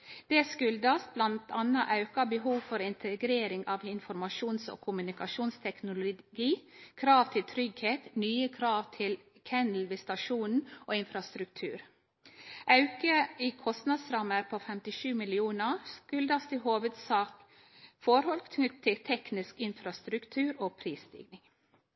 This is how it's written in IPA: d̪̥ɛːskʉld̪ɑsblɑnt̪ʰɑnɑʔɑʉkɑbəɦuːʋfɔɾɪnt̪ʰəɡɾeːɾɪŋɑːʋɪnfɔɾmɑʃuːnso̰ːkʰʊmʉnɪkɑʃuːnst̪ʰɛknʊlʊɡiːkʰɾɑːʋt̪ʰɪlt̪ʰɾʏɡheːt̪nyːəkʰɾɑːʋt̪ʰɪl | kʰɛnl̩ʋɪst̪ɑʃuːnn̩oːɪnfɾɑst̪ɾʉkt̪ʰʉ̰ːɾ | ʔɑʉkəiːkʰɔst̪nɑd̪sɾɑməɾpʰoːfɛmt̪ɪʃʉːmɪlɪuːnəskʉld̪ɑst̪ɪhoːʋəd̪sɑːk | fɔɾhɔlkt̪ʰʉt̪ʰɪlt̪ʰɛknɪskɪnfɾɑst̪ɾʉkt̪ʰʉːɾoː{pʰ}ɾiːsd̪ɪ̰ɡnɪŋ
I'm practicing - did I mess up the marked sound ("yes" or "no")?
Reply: no